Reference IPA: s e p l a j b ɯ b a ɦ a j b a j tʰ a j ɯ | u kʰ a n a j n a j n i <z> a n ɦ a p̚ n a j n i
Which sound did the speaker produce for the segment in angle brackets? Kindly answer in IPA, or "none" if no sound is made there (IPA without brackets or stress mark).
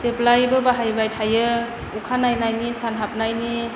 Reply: s